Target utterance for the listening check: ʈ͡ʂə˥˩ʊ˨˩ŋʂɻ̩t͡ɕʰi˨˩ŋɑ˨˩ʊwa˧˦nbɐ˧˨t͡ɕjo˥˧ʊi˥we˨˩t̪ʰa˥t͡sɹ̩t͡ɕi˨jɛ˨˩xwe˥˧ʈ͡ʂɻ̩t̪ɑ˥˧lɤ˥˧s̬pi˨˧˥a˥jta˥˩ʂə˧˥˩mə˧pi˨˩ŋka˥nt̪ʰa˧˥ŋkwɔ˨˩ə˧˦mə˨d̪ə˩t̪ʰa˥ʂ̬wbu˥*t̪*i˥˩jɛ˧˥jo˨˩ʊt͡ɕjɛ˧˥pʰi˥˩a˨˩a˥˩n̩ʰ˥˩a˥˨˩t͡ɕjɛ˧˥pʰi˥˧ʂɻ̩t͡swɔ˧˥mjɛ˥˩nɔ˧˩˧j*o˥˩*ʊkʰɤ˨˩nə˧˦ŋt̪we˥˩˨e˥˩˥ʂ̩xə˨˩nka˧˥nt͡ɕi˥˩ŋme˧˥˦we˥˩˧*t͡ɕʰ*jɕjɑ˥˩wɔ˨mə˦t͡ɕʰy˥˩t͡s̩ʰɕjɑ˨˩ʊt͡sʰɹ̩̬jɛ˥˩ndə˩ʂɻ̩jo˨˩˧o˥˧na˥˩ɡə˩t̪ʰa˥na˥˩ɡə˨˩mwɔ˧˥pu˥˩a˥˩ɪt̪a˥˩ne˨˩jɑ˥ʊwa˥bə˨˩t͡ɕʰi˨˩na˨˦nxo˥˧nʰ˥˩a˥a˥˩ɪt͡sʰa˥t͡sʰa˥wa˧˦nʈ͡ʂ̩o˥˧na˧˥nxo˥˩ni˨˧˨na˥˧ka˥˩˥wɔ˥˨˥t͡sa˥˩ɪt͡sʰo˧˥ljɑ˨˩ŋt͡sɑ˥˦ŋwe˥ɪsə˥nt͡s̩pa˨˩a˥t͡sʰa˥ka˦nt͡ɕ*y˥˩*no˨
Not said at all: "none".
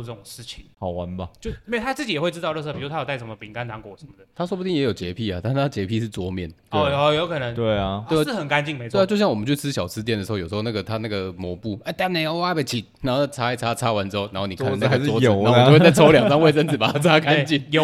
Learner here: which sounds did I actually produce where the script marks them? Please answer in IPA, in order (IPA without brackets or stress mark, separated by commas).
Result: t̪, o˧˥, t͡ɕ, i˥˩